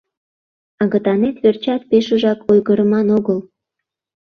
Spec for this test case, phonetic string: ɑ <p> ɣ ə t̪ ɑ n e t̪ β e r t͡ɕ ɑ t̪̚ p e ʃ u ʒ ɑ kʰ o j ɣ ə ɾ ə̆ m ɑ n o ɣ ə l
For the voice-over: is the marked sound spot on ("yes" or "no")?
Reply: no